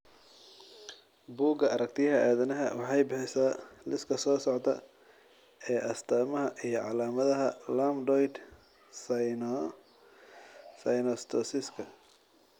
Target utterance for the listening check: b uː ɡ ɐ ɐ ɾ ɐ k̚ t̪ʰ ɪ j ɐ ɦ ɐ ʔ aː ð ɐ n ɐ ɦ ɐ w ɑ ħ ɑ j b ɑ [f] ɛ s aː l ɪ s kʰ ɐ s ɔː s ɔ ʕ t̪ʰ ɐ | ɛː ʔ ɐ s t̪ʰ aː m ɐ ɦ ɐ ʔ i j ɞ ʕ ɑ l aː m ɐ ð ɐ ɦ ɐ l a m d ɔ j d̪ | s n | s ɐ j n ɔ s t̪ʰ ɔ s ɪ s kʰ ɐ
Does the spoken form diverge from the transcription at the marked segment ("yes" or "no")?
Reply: yes